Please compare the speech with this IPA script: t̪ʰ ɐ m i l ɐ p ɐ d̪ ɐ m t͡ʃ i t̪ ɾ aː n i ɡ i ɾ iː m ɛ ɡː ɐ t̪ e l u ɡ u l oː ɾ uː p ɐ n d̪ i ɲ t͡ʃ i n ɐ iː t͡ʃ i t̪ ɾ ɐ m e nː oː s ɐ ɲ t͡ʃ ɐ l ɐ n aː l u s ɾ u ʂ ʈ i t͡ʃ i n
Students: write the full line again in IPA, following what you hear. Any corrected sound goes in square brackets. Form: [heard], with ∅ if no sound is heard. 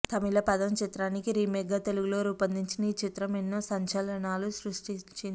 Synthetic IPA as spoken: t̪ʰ ɐ m i l ɐ p ɐ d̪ ɐ m t͡ʃ i t̪ ɾ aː n i [k] i ɾ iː m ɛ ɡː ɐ t̪ e l u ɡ u l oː ɾ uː p ɐ n d̪ i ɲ t͡ʃ i n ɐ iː t͡ʃ i t̪ ɾ ɐ m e nː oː s ɐ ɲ t͡ʃ ɐ l ɐ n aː l u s ɾ u ʂ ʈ i t͡ʃ i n